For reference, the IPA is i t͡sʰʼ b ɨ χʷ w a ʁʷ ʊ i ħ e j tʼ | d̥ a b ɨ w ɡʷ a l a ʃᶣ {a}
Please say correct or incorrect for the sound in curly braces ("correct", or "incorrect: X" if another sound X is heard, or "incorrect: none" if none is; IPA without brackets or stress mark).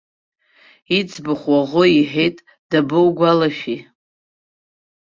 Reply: incorrect: i